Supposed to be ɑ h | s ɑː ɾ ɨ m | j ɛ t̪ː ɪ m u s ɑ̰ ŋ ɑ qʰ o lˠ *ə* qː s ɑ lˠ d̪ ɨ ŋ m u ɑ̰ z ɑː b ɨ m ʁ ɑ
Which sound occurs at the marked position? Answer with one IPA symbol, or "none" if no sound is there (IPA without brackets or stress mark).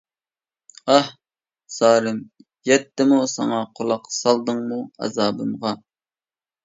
ɑ